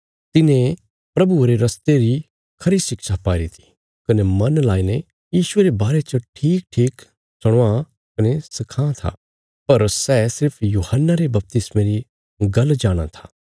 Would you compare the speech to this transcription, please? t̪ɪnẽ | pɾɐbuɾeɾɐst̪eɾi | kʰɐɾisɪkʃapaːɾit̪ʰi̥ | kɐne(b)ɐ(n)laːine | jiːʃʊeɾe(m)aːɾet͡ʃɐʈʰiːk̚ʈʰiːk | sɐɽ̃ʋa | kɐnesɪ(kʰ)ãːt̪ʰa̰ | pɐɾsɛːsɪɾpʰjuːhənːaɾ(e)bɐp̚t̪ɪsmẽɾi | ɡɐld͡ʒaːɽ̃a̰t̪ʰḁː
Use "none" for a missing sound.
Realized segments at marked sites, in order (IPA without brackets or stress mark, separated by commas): m, n, b, kʰ, e